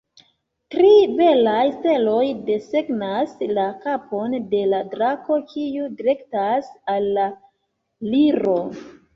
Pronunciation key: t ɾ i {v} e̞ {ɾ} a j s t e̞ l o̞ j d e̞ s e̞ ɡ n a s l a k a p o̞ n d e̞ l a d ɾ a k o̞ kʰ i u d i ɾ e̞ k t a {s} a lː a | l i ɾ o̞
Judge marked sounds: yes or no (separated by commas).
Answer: no, no, yes